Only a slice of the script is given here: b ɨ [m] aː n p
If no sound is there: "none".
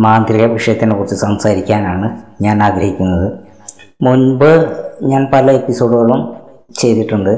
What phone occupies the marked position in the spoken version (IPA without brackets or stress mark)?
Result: ɲ